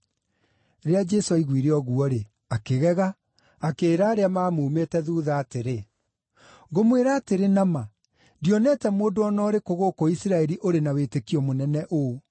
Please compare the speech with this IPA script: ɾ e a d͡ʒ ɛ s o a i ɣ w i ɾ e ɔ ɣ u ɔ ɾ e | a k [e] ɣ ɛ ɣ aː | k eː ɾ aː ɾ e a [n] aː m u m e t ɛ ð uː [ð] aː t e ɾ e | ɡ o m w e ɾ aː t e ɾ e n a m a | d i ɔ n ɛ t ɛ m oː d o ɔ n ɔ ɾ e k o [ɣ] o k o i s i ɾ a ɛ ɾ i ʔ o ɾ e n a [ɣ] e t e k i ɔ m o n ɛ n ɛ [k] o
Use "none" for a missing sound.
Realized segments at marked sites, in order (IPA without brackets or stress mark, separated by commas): e, m, ð, ɣ, w, ʔ